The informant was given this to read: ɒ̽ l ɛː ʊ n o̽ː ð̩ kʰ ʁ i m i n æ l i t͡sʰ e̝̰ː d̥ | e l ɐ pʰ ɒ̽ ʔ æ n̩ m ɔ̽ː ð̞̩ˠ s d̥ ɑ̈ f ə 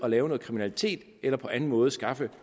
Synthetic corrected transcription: ɒ̽ l ɛː ʊ n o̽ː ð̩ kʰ ʁ i m i n æ l i t͡sʰ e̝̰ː d̥ | e l ɐ pʰ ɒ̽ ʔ æ n̩ m ɔ̽ː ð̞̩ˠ s ɡ̥ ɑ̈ f ə